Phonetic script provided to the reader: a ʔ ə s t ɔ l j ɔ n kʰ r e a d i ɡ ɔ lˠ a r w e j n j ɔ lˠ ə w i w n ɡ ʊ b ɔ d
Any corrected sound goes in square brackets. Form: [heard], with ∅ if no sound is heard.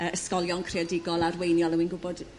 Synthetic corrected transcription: [ə] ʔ ə s [k] ɔ l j ɔ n kʰ r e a d [ɪ] ɡ ɔ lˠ a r w e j n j ɔ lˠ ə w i [∅] n ɡ ʊ b ɔ d

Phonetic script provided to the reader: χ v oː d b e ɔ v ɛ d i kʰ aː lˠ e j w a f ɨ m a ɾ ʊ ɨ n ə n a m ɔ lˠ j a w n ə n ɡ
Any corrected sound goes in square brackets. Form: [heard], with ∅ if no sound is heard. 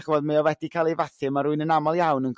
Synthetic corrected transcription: χ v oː d [m] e ɔ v ɛ d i kʰ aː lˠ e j [v] a [θ] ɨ m a ɾ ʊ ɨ n ə n a m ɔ lˠ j a w n ə n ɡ

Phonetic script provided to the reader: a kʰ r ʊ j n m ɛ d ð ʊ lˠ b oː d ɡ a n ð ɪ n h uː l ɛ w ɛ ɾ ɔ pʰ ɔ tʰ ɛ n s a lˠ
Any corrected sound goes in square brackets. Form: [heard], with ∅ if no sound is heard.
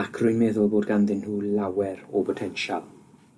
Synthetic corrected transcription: a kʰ r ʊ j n m ɛ [∅] ð ʊ lˠ b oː d ɡ a n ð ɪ n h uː l [a] w ɛ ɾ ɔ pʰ ɔ tʰ ɛ n [ʃ] a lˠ

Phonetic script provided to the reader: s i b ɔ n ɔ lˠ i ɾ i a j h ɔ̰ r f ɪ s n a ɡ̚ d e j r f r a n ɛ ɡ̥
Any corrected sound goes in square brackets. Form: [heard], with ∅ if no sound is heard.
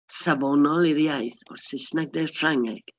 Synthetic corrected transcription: s [a] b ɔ n ɔ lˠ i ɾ [j] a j [θ] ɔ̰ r [s] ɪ s n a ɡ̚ d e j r f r a [ŋ] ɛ ɡ̥

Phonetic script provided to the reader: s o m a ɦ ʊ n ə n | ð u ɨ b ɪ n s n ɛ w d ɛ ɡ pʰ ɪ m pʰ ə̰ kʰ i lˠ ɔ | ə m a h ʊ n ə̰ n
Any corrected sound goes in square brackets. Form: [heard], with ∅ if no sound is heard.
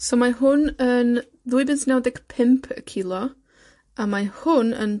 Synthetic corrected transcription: s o m a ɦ ʊ n ə n | ð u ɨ b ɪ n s n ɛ w d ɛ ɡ pʰ ɪ m pʰ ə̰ kʰ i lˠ ɔ | [a] m a h ʊ n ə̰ n

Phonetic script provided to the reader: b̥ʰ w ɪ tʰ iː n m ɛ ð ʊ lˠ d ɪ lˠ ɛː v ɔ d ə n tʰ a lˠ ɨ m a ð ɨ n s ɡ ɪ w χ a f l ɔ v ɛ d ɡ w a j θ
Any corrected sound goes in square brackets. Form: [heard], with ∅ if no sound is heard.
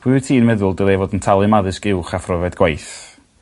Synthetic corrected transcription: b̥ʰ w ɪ tʰ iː n m ɛ ð ʊ lˠ d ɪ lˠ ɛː v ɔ d ə n tʰ a lˠ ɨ m a ð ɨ [∅] s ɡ ɪ w χ a f [r] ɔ v ɛ d ɡ w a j θ

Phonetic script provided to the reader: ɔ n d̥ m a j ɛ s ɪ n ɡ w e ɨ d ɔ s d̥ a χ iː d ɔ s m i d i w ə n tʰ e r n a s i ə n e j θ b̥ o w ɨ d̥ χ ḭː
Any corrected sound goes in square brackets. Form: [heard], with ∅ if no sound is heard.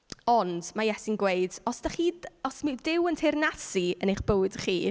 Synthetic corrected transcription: ɔ n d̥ m a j ɛ s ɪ n ɡ w e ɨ d ɔ s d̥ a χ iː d ɔ s m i d [ɪ] w ə n tʰ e r n a s i ə n e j [χ] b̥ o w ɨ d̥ χ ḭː

